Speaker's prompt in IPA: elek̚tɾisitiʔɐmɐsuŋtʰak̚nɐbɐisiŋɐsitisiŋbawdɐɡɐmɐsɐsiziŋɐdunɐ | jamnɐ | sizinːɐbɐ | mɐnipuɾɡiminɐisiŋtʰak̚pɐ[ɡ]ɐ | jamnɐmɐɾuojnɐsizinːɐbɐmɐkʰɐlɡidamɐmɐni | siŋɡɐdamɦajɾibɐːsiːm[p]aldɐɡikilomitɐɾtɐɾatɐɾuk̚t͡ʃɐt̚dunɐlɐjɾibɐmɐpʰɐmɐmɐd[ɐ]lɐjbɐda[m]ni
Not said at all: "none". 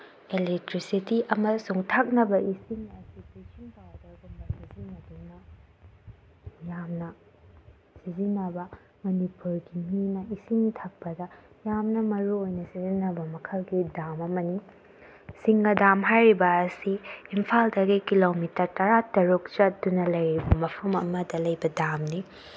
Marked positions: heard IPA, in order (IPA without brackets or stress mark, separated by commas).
d, pʰ, ɐ, m